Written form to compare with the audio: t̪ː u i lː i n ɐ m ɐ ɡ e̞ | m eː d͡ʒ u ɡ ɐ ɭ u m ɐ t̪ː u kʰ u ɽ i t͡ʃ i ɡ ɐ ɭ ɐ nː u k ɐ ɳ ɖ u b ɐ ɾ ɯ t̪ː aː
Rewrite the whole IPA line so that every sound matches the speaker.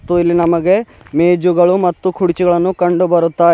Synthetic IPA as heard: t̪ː u i lː i n ɐ m ɐ ɡ e̞ | m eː d͡ʒ u ɡ ɐ ɭ u m ɐ t̪ː u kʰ u ɽ i t͡ʃ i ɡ ɐ ɭ ɐ nː u k ɐ ɳ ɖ u b ɐ ɾ u t̪ː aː